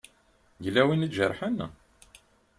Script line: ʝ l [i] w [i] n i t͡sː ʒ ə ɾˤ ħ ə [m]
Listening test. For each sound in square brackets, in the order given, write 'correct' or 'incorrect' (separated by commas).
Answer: incorrect, correct, incorrect